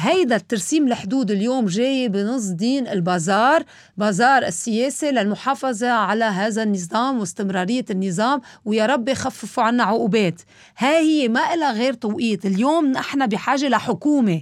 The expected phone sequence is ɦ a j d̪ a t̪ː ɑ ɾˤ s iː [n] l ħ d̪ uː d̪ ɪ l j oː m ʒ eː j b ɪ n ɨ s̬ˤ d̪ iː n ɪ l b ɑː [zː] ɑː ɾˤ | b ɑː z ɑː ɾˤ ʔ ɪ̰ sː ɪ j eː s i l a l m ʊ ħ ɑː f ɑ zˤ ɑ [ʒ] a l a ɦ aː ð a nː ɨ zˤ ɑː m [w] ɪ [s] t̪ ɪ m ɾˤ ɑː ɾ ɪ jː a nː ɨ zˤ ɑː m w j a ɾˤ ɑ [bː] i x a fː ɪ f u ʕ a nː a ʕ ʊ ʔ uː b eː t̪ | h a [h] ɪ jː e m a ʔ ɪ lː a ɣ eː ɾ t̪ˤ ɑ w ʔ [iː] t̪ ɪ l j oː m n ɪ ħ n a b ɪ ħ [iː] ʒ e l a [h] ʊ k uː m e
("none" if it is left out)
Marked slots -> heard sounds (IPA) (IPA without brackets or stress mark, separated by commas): m, z, ʕ, w, s, bː, h, iː, aː, ħ